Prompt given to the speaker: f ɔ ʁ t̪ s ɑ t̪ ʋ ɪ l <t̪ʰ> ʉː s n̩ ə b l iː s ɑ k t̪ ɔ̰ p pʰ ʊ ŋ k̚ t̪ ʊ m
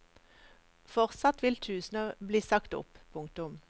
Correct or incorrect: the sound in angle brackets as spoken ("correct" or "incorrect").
correct